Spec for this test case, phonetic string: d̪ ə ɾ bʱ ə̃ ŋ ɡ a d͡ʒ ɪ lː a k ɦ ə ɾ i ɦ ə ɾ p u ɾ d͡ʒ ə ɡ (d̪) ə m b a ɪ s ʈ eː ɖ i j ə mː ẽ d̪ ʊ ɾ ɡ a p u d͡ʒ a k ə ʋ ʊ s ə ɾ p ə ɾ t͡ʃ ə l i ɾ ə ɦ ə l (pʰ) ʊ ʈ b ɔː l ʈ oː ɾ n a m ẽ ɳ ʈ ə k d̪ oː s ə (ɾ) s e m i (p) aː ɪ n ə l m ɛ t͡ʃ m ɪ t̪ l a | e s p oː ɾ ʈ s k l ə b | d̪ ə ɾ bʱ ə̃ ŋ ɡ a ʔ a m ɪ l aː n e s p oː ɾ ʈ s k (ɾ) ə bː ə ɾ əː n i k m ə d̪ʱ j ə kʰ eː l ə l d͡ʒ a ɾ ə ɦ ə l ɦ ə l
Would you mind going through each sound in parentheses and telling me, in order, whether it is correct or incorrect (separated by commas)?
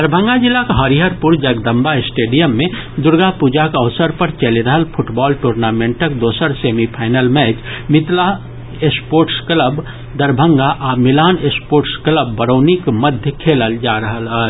correct, correct, correct, incorrect, incorrect